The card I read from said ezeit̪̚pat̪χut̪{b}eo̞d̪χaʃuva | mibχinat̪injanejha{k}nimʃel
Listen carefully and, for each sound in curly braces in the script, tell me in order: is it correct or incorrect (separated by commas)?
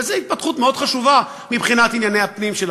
incorrect, incorrect